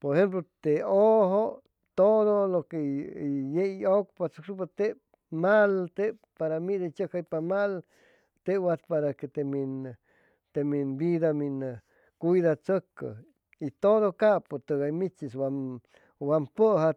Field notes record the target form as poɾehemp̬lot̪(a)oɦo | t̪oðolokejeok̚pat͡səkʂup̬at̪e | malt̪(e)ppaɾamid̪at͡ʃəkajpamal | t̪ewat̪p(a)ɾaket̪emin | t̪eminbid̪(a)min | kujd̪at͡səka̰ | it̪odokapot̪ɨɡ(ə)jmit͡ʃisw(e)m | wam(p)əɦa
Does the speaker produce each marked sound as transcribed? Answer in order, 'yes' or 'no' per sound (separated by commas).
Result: no, yes, yes, yes, no, no, yes